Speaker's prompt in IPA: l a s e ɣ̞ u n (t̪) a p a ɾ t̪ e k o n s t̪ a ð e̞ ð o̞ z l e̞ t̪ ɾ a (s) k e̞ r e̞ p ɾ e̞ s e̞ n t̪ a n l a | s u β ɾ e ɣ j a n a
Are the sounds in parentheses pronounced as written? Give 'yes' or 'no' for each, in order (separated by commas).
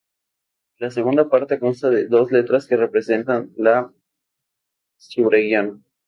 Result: no, yes